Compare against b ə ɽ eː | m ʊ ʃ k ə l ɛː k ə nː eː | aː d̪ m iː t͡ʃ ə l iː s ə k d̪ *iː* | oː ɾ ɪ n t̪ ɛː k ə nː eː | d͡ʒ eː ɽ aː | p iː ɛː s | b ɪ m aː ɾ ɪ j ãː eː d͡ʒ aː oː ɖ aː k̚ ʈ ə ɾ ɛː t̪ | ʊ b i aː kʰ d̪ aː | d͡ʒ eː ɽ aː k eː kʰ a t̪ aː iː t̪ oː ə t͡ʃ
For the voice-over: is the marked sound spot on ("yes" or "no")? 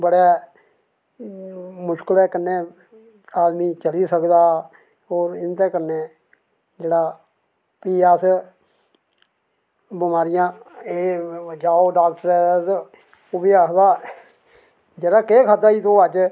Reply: no